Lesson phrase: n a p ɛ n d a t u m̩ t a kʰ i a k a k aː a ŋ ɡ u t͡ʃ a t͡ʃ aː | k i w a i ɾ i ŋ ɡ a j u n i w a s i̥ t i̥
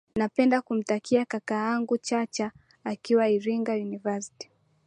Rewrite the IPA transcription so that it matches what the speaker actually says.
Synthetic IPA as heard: n a p ɛ n d a k u m̩ t a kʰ i a k a k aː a ŋ ɡ u t͡ʃ a t͡ʃ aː | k i w a i ɾ i ŋ ɡ a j u n i v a s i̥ t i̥